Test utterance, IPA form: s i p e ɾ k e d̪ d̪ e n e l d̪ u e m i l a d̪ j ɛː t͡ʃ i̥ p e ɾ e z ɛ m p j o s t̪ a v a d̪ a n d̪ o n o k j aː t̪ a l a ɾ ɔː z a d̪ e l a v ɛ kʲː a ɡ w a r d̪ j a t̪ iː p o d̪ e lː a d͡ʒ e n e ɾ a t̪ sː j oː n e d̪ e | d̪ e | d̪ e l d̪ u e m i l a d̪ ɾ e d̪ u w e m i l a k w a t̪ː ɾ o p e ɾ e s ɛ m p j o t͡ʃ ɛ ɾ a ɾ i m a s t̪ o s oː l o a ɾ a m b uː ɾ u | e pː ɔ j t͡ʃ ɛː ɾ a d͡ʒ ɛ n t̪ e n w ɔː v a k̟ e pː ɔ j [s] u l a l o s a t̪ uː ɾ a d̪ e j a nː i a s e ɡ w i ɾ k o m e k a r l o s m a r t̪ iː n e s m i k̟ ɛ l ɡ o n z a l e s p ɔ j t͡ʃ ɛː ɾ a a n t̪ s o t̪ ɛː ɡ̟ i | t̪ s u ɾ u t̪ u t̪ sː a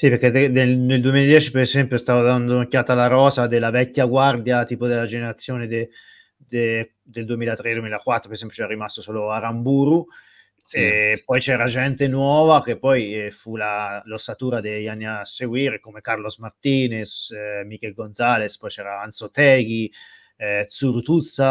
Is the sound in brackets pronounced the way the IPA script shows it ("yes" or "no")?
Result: no